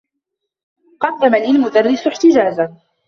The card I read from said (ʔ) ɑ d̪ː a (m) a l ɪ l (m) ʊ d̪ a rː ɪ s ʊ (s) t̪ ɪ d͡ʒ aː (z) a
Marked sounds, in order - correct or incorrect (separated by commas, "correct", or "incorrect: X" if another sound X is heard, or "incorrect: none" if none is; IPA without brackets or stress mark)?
incorrect: q, correct, correct, incorrect: ħ, correct